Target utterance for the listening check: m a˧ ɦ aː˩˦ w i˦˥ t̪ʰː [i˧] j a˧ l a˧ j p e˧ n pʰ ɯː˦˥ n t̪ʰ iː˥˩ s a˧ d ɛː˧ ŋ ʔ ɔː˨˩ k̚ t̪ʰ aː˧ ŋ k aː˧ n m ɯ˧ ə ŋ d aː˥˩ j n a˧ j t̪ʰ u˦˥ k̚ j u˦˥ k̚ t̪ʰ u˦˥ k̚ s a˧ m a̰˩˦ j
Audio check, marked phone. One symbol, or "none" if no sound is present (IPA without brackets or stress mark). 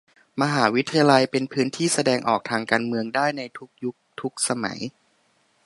a˧